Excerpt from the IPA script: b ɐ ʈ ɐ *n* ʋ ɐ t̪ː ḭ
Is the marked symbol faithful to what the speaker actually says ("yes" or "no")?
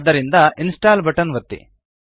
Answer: yes